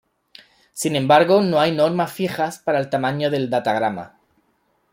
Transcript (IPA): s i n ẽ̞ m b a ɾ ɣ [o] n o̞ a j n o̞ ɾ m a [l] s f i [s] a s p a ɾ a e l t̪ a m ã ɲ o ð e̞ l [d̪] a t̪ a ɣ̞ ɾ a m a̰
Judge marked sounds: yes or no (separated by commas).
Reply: yes, no, no, yes